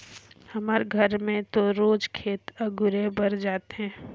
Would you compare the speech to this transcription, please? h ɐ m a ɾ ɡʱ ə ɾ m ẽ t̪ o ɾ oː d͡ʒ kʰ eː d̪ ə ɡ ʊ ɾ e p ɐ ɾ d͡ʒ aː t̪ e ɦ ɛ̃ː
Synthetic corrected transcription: h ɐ m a ɾ ɡʱ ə ɾ m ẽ t̪ o ɾ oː d͡ʒ kʰ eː t̪ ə ɡ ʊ ɾ e b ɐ ɾ d͡ʒ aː t̪ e ɦ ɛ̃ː